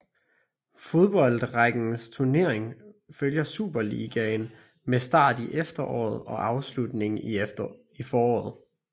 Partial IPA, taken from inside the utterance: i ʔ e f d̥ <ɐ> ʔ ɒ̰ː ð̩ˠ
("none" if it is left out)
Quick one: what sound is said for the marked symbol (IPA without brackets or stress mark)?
ɐ